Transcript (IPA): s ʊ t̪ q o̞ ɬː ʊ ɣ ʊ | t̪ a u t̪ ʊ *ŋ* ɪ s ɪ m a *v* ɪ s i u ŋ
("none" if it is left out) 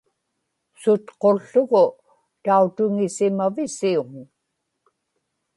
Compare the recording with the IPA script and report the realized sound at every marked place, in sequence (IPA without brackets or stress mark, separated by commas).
ŋ, v